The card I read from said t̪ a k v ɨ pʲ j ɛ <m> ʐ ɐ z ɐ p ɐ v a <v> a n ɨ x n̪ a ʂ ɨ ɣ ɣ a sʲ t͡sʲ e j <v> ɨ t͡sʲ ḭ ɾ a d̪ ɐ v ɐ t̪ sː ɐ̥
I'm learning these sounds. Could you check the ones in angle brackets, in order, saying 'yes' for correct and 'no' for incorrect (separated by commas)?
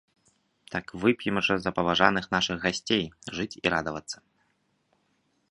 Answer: yes, no, no